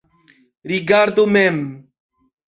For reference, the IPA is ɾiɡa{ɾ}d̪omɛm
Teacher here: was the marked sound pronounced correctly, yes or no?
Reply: yes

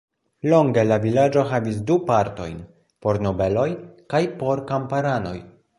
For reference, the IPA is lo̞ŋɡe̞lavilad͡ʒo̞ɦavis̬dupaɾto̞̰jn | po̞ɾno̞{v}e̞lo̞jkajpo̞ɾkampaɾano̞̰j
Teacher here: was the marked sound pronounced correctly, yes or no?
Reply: no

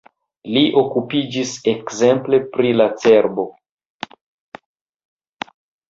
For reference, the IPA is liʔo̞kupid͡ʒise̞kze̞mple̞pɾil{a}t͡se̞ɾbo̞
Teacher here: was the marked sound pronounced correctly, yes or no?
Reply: yes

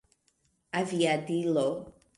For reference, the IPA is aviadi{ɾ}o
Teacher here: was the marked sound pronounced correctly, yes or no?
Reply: no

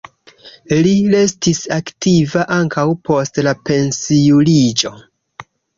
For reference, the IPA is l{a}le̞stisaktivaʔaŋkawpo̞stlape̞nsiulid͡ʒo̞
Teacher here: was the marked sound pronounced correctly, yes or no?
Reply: no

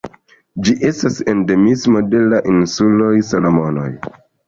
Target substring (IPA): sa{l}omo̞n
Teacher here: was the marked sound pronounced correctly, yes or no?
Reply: yes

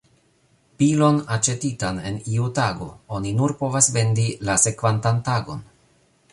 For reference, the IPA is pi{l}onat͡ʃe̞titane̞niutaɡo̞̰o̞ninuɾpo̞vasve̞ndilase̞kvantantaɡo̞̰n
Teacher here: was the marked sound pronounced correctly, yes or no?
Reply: yes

